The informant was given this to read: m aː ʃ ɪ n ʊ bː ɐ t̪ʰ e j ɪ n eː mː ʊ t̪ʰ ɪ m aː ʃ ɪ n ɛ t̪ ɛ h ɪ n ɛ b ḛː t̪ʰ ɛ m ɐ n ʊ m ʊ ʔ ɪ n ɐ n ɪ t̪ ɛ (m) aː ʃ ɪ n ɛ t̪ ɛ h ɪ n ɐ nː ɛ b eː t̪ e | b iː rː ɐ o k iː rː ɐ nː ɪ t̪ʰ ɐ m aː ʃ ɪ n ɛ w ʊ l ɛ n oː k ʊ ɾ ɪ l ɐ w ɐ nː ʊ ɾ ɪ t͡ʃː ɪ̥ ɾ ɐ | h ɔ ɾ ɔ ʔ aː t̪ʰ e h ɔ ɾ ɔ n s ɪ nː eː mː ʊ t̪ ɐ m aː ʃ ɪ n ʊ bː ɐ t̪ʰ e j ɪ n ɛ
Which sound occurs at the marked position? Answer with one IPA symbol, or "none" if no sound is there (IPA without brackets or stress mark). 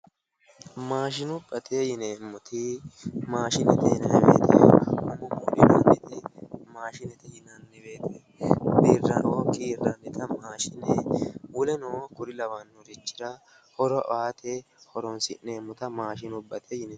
m